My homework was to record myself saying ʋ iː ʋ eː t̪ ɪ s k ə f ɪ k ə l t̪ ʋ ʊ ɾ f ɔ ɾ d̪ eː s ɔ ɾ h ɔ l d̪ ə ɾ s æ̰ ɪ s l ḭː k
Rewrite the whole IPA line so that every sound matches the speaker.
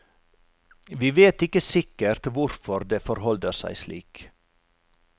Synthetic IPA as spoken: ʋ iː ʋ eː t̪ ɪ k ə s ɪ k ə ɾ t̪ ʋ ʊ ɾ f ɔ ɾ d̪ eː f ɔ ɾ h ɔ l d̪ ə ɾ s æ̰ ɪ s l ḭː k